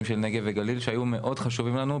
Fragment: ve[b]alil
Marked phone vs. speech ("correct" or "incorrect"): incorrect